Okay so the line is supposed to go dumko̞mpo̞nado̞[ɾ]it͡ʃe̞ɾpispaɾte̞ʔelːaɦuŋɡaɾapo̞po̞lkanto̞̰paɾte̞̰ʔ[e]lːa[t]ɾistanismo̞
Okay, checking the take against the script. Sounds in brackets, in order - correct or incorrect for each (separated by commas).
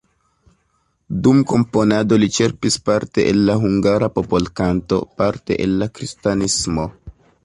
incorrect, correct, incorrect